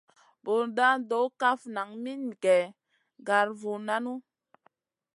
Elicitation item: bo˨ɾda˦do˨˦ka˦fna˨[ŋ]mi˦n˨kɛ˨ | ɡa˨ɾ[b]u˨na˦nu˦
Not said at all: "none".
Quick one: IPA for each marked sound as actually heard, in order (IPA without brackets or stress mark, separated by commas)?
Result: ŋ, v